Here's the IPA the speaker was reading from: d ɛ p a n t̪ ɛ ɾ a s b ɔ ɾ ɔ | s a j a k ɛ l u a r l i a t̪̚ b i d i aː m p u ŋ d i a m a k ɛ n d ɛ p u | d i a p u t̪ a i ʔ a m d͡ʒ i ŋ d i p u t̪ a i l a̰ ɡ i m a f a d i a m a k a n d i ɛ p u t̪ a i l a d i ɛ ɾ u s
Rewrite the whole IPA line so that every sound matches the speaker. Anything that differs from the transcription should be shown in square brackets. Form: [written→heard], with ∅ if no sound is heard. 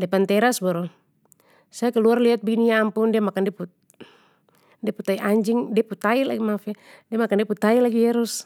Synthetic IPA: d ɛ p a n t̪ ɛ ɾ a s b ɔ ɾ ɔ | s a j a k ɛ l u a r l i a t̪̚ b i [d→n] i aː m p u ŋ d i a m a k [ɛ→a] n d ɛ p u | d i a p u t̪ a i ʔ a [m→ɲ] d͡ʒ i ŋ d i p u t̪ a i l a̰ ɡ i m a f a d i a m a k a n d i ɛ p u t̪ a i l a [d→ɡ] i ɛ ɾ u s